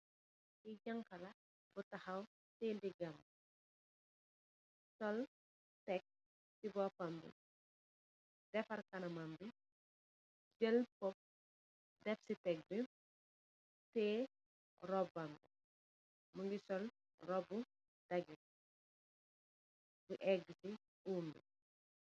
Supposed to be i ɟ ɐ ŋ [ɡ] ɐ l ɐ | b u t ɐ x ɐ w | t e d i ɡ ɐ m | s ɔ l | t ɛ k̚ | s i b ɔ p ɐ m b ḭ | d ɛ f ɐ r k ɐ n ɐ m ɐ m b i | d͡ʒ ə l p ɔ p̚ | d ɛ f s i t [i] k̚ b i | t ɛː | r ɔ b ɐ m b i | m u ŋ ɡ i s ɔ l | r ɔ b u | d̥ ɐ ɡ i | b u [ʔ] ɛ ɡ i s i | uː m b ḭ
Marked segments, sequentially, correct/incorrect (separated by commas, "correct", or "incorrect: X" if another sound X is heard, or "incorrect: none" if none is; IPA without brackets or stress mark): incorrect: k, incorrect: ɛ, correct